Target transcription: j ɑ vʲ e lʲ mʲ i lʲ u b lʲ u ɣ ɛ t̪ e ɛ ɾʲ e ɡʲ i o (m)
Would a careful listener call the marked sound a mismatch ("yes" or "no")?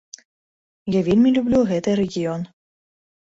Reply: yes